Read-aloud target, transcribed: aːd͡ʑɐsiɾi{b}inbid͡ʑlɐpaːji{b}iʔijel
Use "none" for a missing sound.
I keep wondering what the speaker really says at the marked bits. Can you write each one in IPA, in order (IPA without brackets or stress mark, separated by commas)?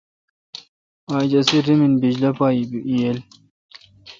m, b